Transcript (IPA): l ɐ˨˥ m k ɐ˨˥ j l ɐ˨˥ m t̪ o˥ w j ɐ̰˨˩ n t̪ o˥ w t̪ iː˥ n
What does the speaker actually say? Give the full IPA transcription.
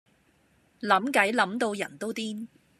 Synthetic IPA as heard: l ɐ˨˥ m k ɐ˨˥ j l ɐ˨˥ m t̪ o˧ w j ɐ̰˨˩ n t̪ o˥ w t̪ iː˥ n